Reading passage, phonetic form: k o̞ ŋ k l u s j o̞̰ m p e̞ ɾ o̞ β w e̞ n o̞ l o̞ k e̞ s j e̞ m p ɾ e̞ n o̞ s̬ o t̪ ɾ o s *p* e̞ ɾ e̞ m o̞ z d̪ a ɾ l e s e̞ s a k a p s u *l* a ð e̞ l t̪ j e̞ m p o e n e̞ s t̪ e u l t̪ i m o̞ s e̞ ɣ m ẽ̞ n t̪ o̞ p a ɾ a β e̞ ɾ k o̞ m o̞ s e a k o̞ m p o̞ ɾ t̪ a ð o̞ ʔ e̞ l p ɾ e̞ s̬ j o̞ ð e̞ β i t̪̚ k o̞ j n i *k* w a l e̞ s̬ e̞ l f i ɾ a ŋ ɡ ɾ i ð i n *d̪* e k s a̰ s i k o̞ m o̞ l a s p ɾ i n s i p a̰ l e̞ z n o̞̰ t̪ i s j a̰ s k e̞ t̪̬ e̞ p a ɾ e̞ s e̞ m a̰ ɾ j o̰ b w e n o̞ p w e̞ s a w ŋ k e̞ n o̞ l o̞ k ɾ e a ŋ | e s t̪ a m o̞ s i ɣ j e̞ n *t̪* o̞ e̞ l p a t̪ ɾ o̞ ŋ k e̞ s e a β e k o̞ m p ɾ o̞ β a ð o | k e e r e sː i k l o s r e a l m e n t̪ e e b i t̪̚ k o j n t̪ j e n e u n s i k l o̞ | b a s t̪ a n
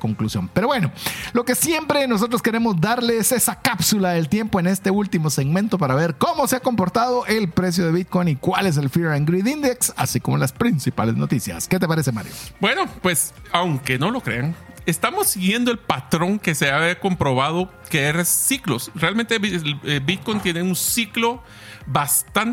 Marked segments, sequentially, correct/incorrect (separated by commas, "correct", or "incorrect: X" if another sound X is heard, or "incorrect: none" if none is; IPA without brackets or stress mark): incorrect: k, correct, correct, correct, incorrect: d̪